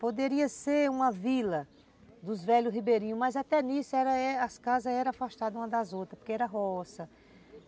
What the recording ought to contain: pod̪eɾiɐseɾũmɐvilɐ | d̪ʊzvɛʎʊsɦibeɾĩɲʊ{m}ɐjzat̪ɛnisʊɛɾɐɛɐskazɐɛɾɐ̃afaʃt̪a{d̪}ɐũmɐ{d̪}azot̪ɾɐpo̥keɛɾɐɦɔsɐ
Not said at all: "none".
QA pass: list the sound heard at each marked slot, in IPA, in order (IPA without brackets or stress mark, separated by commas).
m, d̪, d̪